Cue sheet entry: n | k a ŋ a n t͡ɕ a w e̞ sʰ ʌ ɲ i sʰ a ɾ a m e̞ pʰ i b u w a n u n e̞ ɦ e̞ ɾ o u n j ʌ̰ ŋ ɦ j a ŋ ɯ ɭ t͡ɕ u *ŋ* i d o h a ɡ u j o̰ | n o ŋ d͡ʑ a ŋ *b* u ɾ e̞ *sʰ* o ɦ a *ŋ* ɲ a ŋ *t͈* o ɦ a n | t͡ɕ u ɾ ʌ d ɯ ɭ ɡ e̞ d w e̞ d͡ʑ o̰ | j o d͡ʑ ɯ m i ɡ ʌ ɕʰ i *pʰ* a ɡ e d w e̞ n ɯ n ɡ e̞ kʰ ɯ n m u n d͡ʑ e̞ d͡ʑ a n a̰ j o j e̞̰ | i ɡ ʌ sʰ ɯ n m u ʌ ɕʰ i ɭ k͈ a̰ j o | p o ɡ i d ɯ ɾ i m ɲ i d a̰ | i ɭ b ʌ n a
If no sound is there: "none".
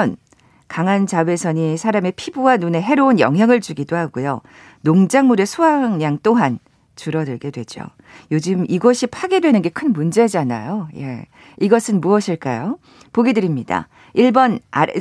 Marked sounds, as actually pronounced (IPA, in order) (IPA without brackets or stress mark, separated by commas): ɡ, m, sʰ, ŋ, t͈, pʰ